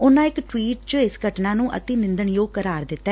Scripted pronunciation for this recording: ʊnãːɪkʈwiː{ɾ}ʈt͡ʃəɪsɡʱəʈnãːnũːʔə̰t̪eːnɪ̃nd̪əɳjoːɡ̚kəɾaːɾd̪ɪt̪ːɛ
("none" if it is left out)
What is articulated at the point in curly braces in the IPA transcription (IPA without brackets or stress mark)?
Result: none